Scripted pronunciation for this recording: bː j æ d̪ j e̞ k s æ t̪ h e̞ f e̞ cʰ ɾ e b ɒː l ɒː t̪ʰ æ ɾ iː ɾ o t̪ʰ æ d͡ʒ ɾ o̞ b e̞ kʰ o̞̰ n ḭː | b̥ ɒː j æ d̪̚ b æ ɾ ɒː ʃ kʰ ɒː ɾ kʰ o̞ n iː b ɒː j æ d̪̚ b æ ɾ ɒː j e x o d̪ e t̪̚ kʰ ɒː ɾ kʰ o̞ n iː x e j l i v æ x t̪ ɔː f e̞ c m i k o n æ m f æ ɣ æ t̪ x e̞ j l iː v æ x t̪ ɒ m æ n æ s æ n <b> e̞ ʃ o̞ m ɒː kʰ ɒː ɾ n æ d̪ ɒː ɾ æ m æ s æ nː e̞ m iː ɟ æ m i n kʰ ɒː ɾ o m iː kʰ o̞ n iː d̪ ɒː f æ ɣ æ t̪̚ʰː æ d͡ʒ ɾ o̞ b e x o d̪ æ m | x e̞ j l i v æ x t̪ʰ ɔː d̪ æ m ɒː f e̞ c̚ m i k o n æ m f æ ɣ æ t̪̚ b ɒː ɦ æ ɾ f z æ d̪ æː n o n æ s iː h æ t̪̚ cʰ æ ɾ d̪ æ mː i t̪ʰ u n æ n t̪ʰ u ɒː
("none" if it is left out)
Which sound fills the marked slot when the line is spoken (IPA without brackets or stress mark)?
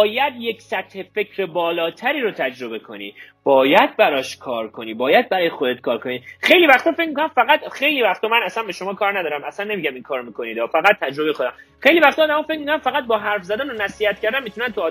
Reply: b